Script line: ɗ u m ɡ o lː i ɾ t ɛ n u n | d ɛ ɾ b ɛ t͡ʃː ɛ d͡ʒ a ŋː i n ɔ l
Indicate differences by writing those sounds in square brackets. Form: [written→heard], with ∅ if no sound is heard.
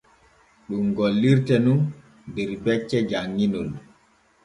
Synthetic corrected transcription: ɗ u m ɡ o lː i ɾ t ɛ n u n | d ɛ ɾ b ɛ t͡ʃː ɛ d͡ʒ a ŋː i n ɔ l

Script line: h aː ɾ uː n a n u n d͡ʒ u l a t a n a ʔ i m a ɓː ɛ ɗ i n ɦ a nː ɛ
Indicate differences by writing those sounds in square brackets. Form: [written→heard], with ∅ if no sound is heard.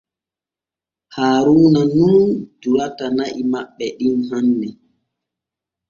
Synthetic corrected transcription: h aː ɾ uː n a n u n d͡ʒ u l a t a n a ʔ i m a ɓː ɛ ɗ i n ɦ a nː ɛ

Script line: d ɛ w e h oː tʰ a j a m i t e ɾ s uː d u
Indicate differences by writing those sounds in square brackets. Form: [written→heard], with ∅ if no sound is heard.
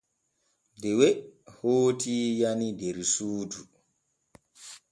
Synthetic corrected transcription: d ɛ w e h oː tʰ [a→i] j a [m→n] i [t→d] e ɾ s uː d u

